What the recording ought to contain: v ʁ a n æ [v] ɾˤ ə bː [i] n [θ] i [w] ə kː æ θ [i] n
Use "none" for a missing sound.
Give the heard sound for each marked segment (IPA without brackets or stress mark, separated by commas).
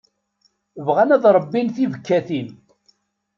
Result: ð, i, θ, v, i